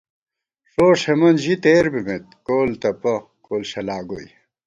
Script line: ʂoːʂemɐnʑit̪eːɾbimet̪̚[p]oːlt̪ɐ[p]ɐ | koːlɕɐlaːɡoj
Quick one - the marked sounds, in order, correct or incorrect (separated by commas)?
incorrect, correct